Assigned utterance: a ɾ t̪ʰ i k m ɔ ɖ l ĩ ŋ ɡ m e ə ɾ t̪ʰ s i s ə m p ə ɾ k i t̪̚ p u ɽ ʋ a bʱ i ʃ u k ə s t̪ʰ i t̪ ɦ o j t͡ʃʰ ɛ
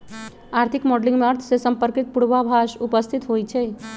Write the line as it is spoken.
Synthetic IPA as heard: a ɾ t̪ʰ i k m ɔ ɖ l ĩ ŋ ɡ m e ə ɾ t̪ʰ s e s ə m p ə ɾ k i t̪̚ p u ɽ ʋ a bʱ a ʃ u p ə s t̪ʰ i t̪ ɦ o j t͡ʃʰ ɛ

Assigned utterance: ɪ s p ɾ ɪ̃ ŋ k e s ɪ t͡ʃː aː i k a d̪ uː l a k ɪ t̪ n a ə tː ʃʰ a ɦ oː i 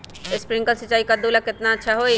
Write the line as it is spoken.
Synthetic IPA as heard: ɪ s p ɾ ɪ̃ ŋ k a s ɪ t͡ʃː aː i k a d̪ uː l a k ɪ t̪ n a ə tː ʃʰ a ɦ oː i

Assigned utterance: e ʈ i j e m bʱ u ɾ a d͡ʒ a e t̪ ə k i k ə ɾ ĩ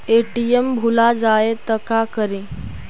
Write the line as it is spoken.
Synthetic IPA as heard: e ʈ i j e m bʱ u l a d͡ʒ a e t̪ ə k a k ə ɾ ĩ

